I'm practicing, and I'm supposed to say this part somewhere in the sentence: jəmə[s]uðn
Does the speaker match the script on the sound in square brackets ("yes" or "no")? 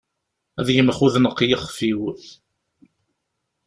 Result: no